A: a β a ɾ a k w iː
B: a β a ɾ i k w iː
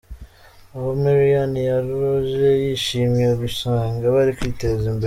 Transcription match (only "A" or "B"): B